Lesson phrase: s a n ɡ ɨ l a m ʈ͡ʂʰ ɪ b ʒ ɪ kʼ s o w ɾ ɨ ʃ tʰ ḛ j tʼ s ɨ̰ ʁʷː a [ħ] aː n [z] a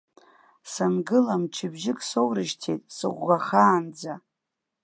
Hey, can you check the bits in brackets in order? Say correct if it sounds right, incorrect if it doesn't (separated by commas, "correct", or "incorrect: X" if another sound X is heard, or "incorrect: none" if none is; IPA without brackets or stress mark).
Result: incorrect: χ, incorrect: d͡z